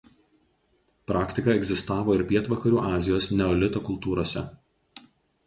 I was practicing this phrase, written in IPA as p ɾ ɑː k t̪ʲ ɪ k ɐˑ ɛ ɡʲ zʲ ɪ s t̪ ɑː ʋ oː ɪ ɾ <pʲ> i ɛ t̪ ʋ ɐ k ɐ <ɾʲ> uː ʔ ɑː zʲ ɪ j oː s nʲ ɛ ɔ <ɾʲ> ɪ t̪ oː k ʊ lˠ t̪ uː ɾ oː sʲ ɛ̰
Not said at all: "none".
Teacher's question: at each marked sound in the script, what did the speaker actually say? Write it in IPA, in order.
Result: pʲ, ɾʲ, lʲ

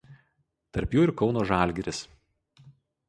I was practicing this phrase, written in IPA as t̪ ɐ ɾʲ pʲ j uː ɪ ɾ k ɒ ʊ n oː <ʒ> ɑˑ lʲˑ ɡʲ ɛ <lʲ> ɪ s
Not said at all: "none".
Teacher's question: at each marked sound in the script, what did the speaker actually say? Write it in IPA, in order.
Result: ʒ, ɾʲ

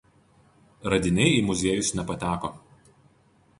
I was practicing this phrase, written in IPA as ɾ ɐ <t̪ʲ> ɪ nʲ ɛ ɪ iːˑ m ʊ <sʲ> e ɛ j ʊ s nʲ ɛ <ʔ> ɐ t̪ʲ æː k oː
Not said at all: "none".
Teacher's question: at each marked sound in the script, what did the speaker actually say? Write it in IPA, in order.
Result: d̪ʲ, zʲ, p

